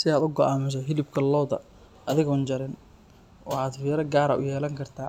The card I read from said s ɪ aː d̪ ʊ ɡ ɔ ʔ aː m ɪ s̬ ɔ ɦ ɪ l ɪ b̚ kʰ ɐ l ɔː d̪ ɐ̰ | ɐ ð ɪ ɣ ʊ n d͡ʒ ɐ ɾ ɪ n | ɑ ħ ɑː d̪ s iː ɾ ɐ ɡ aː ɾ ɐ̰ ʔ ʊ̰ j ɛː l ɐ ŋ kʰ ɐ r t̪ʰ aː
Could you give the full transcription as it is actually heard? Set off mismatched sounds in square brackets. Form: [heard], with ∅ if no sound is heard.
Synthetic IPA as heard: s ɪ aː d̪ ʊ ɡ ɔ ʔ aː m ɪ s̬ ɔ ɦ ɪ l ɪ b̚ kʰ ɐ l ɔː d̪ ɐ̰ | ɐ ð ɪ ɣ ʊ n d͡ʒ ɐ ɾ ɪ n | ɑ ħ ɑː d̪ [f] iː ɾ ɐ ɡ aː ɾ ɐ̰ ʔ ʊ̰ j ɛː l ɐ ŋ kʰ ɐ r t̪ʰ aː